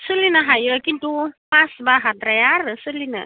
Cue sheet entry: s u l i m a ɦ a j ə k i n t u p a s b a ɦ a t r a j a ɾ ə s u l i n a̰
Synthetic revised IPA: s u l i n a ɦ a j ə k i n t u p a s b a ɦ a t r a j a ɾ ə s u l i n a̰